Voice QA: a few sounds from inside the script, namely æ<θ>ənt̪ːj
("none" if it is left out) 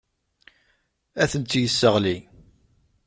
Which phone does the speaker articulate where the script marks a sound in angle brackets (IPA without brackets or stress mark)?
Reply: θ